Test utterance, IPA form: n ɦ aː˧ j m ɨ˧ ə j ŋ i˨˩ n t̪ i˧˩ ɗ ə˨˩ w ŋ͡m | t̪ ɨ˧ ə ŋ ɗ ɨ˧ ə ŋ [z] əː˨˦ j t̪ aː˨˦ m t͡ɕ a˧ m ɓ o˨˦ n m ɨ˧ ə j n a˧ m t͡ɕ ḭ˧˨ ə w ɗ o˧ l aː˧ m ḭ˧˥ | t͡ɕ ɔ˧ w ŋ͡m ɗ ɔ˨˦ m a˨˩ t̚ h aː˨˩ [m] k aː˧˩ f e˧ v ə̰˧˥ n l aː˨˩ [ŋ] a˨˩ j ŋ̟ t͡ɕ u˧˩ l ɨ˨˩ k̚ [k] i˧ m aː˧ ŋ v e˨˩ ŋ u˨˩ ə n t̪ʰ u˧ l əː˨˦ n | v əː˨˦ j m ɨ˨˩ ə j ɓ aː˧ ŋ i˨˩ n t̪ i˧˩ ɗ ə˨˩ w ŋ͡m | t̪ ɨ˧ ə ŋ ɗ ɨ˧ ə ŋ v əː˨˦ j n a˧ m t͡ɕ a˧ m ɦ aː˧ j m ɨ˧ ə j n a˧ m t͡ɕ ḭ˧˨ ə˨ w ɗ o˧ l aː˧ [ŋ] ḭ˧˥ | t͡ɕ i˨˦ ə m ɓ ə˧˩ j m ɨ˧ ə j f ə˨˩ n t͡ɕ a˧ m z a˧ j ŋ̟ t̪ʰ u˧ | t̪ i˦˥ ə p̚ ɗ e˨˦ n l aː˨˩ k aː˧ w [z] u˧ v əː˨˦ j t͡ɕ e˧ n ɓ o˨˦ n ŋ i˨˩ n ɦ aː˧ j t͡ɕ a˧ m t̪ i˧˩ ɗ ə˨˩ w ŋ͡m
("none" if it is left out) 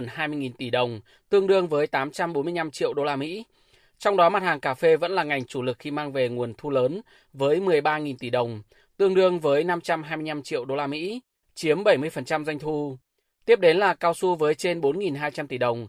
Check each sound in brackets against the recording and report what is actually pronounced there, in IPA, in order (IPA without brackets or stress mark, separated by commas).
v, ŋ, ŋ, x, m, s